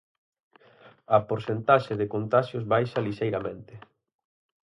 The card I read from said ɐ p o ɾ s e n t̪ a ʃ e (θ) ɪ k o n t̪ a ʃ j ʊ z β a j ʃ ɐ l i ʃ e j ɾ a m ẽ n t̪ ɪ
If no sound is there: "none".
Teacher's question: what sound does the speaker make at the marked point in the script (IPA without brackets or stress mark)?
ð